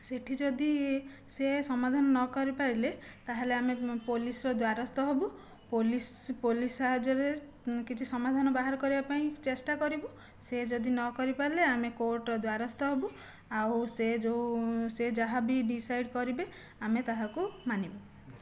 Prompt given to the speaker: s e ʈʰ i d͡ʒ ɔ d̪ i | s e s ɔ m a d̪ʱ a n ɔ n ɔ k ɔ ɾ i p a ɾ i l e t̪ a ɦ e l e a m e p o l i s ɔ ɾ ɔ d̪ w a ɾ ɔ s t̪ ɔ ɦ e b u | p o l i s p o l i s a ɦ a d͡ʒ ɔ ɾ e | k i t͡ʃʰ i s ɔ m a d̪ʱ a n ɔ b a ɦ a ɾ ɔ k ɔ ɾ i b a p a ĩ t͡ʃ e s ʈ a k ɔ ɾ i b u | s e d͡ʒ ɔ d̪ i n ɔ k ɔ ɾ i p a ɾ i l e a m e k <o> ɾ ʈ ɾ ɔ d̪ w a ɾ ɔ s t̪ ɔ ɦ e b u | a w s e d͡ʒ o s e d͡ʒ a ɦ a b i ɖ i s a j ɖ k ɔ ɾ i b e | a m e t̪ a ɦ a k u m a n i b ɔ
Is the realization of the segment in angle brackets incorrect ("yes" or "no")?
no